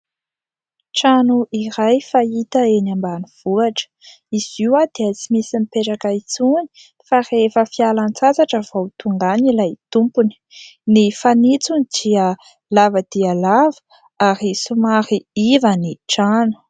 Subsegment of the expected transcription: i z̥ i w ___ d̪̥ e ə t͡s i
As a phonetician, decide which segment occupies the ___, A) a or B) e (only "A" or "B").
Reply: A